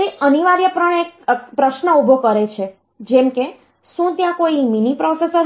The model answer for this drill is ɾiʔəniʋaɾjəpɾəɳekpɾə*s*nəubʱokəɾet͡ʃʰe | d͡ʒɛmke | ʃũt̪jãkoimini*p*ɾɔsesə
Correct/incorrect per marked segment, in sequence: incorrect: ʃ, correct

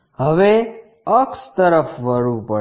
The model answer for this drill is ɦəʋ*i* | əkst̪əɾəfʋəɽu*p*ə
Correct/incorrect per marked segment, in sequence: incorrect: e, correct

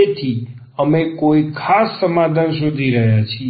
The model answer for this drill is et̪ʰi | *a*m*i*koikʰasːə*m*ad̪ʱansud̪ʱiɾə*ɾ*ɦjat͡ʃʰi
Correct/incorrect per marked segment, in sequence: incorrect: ə, incorrect: e, correct, incorrect: none

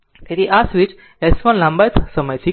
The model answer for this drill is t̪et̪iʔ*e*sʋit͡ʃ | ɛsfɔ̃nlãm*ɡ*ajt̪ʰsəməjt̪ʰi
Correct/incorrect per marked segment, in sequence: incorrect: a, incorrect: b

